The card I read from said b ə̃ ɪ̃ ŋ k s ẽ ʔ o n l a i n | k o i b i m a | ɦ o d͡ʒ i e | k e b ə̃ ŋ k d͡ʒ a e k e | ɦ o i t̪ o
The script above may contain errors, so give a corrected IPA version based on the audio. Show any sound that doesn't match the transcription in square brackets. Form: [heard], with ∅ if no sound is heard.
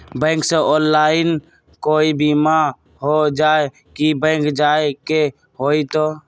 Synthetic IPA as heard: b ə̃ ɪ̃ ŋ k s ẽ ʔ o n l a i n | k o i b i m a | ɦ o d͡ʒ [a] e | k [i] b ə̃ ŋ k d͡ʒ a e k e | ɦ o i t̪ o